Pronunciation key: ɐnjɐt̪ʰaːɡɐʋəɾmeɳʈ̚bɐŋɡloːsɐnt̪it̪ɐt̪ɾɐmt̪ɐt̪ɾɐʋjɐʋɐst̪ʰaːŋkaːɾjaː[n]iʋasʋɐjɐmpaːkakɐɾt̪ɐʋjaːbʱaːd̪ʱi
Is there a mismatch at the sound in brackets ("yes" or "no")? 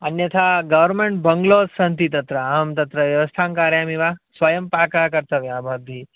yes